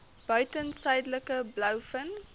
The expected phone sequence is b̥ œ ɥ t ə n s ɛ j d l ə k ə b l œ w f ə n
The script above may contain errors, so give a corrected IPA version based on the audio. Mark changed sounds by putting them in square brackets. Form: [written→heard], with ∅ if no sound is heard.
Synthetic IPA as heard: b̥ œ ɥ t ə n s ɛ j d l ə k ə b l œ w f ə n